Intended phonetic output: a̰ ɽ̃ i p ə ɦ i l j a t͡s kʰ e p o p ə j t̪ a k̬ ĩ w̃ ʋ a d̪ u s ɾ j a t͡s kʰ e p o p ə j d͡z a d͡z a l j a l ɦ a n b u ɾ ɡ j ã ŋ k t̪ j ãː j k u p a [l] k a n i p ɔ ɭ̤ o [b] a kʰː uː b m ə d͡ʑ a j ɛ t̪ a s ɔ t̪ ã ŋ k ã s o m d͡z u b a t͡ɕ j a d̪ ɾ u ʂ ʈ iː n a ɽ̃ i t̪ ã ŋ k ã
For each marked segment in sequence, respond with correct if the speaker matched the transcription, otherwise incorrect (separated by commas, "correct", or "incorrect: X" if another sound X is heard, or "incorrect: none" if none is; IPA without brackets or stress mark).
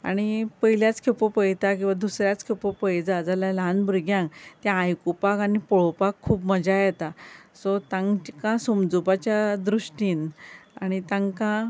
incorrect: none, incorrect: p